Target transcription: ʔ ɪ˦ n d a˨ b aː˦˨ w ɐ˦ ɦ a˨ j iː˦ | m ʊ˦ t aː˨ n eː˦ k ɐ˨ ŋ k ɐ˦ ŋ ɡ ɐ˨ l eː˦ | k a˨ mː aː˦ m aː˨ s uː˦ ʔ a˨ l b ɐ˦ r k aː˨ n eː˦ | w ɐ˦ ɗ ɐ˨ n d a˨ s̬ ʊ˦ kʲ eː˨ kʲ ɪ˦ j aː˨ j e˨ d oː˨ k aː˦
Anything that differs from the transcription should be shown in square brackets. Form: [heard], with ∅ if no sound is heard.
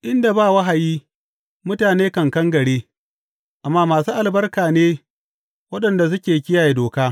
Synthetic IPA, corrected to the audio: ʔ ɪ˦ n d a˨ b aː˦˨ w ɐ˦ ɦ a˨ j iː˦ | m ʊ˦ t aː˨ n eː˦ k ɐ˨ ŋ k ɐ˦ ŋ ɡ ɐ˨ [ɽ] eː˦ | [ʔ] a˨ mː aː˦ m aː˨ s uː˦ ʔ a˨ l b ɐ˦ r k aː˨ n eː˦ | w ɐ˦ ɗ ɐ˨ n d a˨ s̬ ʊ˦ kʲ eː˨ kʲ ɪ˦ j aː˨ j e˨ d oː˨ k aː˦

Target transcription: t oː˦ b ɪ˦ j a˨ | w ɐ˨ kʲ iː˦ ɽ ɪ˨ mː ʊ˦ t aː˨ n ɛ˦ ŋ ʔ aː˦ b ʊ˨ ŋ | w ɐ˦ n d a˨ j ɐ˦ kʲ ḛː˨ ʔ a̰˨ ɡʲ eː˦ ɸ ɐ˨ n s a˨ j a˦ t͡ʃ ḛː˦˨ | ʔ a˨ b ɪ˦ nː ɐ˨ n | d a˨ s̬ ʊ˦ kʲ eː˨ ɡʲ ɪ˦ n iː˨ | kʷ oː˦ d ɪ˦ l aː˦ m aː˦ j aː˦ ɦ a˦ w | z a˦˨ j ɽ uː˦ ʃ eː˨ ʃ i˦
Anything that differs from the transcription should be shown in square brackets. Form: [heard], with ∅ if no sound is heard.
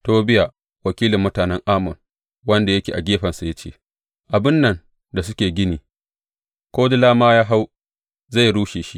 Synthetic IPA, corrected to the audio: t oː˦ b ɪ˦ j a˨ | w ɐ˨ kʲ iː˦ [l] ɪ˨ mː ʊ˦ t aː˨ n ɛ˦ ŋ ʔ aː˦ [m] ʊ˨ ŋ | w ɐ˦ n d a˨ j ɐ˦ kʲ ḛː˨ ʔ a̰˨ ɡʲ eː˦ ɸ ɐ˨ n s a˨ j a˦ t͡ʃ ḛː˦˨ | ʔ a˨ b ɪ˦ nː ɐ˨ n | d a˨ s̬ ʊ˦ kʲ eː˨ ɡʲ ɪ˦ n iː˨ | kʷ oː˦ d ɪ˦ l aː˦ m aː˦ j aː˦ ɦ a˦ w | z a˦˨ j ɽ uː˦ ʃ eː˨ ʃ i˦

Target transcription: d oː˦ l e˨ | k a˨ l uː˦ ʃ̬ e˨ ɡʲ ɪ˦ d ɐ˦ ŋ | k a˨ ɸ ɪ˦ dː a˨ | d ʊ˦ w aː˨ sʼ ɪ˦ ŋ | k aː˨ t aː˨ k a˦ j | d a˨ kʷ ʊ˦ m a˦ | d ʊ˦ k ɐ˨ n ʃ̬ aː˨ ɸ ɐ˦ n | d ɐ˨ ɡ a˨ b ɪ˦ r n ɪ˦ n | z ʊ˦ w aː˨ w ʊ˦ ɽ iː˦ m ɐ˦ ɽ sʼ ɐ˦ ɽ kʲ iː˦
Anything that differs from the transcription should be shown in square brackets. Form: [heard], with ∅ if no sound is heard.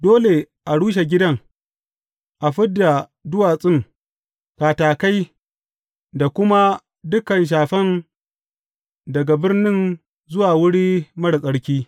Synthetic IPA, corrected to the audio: d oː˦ l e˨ | [ʔ] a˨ [ɽ] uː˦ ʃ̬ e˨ ɡʲ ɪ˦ d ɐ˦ ŋ | [ʔ] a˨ ɸ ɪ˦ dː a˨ | d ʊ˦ w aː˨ sʼ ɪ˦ ŋ | k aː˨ t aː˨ k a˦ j | d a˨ kʷ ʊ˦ m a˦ | d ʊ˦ k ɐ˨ n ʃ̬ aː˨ ɸ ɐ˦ n | d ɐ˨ ɡ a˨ b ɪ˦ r n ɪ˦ n | z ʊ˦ w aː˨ w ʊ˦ ɽ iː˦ m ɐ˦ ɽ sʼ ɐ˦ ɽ kʲ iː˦

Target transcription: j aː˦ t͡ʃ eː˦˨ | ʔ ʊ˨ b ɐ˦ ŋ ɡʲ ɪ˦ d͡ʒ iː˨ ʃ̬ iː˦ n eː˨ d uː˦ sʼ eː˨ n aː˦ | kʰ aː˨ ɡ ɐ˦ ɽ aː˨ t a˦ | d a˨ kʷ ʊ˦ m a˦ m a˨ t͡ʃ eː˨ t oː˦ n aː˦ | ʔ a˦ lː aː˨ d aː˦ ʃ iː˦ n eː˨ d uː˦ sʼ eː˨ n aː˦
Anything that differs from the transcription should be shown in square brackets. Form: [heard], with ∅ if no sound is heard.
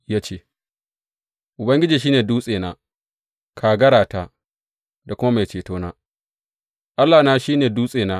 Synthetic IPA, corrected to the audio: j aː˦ t͡ʃ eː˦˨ | ʔ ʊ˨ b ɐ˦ ŋ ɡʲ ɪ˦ d͡ʒ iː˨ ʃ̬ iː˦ n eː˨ d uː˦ sʼ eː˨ n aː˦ | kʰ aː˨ ɡ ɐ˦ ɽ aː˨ t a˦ | d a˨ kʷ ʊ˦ m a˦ m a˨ t͡ʃ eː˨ t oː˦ n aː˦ | ʔ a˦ lː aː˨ [n] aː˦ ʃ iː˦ n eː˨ d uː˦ sʼ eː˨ n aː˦

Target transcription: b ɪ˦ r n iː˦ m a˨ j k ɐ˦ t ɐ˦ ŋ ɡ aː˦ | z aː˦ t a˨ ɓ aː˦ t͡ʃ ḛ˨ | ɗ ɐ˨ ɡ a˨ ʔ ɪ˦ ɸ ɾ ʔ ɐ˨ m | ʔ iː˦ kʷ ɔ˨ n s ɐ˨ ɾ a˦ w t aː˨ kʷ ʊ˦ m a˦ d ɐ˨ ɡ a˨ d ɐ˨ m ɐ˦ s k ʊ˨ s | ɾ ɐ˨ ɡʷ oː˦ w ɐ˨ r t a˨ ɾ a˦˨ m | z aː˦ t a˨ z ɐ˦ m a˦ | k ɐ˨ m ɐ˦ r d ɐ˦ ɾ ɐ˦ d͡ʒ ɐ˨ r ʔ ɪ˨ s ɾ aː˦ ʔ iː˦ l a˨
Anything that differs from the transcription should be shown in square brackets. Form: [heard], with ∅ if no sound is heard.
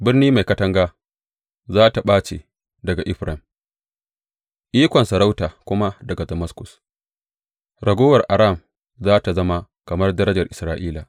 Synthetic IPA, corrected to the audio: b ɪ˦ r n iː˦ m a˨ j k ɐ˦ t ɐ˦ ŋ ɡ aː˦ | z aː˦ t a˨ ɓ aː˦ t͡ʃ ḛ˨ | [d] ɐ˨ ɡ a˨ ʔ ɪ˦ ɸ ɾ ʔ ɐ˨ m | ʔ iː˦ kʷ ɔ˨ n s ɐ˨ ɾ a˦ w t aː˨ kʷ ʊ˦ m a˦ d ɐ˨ ɡ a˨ d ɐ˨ m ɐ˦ s k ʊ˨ s | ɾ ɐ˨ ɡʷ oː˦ w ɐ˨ r [ʔ] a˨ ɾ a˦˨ m | z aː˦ t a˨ z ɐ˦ m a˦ | k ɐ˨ m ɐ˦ r d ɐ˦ ɾ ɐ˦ d͡ʒ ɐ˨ r ʔ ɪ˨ s ɾ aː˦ ʔ iː˦ l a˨

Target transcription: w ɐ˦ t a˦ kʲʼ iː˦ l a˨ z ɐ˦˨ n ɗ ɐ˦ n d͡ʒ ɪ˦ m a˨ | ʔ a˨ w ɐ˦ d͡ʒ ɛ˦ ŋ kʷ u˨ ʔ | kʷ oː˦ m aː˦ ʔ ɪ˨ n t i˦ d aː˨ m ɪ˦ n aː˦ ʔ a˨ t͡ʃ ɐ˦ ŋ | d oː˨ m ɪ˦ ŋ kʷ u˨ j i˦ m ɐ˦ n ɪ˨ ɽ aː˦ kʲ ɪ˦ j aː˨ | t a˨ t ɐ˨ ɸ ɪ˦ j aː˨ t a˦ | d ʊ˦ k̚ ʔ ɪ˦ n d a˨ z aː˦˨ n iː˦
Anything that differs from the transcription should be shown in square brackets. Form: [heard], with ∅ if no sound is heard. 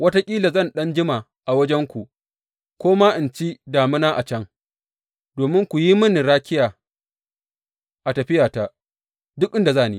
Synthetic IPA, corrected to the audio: w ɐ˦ t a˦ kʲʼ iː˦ l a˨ z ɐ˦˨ n ɗ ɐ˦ n d͡ʒ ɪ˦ m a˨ | ʔ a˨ w ɐ˦ d͡ʒ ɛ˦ ŋ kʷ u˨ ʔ | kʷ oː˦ m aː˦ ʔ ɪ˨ n [t͡ʃ] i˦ d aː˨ m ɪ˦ n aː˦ ʔ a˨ t͡ʃ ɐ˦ ŋ | d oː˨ m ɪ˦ ŋ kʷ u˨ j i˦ m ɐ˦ n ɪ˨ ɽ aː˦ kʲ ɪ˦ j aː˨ | [ʔ] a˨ t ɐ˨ ɸ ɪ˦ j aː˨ t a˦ | d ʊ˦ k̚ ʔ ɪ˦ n d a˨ z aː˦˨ n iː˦

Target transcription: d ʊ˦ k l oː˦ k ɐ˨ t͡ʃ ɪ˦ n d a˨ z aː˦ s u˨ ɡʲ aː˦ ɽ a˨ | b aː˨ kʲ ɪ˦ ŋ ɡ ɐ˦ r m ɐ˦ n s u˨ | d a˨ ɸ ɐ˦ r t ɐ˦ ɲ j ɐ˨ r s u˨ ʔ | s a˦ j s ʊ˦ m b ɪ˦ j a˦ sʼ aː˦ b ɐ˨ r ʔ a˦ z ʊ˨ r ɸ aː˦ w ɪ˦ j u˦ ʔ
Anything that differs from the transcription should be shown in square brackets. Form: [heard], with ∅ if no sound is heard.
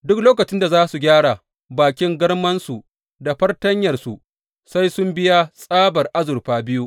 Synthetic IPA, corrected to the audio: d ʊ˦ k l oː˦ k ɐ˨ t͡ʃ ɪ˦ n d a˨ z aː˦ s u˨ ɡʲ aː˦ ɽ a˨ | b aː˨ kʲ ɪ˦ ŋ ɡ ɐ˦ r m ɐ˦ n s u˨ | d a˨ ɸ ɐ˦ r t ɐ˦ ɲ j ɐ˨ r s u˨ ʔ | s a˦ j s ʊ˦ m b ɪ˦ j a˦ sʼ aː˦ b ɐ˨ r ʔ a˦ z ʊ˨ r ɸ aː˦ [b] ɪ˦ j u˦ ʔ

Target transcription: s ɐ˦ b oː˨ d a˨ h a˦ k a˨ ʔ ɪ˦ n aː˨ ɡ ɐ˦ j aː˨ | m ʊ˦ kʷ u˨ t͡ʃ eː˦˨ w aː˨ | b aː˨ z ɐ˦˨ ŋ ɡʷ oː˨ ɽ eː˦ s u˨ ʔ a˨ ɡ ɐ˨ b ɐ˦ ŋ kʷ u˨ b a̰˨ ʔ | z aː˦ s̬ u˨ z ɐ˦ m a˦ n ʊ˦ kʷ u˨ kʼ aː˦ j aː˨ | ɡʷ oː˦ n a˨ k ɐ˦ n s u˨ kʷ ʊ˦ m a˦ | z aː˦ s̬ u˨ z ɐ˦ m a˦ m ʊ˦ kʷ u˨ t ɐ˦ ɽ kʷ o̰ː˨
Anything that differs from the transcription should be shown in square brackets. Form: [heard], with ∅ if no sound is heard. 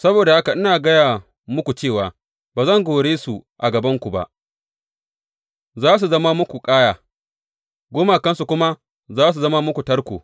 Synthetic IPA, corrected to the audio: s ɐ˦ b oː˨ d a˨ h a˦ k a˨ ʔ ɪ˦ n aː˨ ɡ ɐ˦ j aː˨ | m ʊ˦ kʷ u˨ t͡ʃ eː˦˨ w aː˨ | b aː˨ z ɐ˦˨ ŋ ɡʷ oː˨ ɽ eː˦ s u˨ ʔ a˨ ɡ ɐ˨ b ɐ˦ ŋ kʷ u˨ b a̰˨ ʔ | z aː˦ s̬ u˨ z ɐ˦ m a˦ [m] ʊ˦ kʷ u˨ kʼ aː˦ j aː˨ | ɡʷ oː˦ [m] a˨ k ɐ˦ n s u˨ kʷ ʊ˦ m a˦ | z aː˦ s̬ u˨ z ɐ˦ m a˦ m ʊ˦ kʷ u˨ t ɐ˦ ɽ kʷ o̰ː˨

